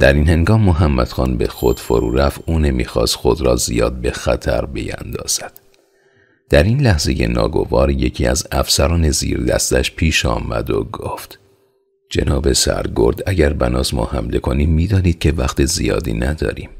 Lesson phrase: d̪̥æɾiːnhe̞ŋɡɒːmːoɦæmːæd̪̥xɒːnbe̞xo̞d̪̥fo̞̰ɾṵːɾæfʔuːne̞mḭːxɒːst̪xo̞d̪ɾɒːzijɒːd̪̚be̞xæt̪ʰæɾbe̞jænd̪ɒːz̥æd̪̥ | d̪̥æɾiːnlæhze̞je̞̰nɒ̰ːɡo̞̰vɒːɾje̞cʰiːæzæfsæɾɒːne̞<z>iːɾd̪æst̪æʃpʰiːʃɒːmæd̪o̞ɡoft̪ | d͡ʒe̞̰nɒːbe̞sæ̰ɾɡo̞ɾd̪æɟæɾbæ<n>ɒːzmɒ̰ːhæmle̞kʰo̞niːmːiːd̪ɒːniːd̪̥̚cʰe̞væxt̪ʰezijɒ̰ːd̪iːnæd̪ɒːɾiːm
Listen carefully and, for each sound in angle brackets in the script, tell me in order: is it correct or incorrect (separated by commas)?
correct, correct